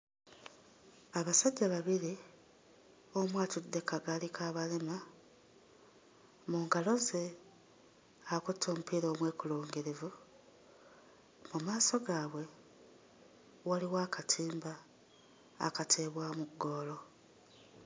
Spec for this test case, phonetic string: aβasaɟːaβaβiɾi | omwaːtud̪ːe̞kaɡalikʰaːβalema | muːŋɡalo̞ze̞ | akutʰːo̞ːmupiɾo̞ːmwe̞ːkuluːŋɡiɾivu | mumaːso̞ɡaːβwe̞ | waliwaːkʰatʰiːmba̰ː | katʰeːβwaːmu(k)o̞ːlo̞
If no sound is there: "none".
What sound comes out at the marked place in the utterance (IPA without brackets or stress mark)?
ɡ